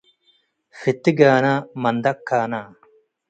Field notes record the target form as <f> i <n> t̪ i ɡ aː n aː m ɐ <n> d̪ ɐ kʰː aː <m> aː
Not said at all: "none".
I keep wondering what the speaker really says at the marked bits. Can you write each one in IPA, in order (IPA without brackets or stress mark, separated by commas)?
f, none, n, n